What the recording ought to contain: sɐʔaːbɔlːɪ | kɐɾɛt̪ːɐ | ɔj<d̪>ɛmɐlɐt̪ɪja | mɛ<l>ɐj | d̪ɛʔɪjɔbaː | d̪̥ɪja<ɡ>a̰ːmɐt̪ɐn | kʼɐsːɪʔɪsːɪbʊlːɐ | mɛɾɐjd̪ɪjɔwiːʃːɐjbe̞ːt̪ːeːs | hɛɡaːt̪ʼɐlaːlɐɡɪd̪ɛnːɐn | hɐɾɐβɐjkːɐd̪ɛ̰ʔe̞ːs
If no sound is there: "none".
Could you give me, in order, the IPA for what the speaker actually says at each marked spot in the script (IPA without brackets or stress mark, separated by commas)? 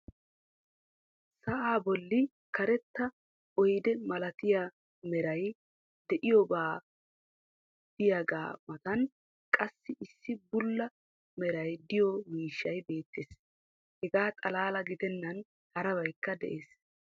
d̪, ɾ, ɡ